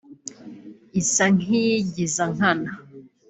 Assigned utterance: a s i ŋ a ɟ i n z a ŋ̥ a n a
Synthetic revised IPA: i s a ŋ i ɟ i z a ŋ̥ a n a